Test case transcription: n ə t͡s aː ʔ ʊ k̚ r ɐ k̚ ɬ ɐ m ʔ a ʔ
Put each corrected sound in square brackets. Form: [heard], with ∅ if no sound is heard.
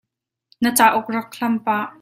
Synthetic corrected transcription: n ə t͡s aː ʔ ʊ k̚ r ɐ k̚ ɬ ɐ m [p] a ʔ